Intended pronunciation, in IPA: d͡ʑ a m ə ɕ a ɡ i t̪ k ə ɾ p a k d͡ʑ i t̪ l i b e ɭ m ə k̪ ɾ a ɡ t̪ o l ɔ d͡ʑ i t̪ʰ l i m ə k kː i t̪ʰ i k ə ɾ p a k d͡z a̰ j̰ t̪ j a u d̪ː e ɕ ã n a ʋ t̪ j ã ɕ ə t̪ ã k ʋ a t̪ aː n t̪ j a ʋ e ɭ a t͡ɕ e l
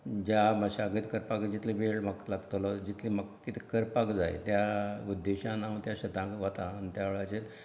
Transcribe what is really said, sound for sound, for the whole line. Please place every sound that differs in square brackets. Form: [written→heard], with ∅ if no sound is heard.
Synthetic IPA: d͡ʑ a m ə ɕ a ɡ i t̪ k ə ɾ p a k d͡ʑ i t̪ l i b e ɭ m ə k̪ [ɾ→l] a ɡ t̪ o l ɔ d͡ʑ i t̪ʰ l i m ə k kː i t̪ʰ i k ə ɾ p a k d͡z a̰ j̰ t̪ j a u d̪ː e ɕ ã n a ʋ t̪ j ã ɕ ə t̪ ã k ʋ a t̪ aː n t̪ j a ʋ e ɭ a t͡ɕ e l